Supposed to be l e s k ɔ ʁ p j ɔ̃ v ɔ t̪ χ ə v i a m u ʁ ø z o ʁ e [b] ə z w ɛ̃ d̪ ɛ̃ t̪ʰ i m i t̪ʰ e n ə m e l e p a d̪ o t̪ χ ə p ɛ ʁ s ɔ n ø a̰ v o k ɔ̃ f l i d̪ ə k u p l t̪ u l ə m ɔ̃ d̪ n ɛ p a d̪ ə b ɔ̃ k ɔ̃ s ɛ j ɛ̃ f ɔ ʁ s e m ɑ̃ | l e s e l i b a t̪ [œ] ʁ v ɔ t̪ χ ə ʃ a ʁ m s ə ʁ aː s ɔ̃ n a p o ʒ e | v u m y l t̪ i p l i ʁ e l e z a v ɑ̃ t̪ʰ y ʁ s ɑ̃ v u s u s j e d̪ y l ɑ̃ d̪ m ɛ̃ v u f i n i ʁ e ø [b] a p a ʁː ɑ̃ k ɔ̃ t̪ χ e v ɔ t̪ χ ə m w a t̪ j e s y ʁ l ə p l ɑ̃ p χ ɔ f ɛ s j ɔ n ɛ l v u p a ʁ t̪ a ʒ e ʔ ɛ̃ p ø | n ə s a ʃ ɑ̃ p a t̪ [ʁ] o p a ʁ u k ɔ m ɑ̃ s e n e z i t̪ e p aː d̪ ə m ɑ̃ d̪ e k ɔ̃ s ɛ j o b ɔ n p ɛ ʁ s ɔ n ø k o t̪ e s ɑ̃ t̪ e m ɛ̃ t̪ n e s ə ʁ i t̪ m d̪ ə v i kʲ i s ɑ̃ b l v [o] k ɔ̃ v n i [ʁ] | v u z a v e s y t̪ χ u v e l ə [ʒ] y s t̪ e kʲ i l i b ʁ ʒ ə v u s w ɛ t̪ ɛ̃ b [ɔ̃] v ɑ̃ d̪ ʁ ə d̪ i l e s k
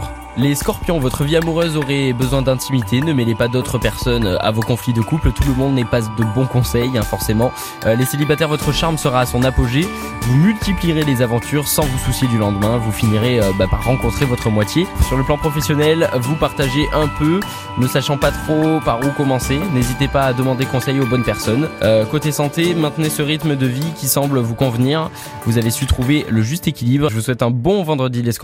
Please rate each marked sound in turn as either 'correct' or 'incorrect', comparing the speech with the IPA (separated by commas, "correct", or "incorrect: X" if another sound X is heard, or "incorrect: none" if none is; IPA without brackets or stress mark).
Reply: correct, incorrect: ɛ, correct, incorrect: χ, incorrect: u, correct, correct, correct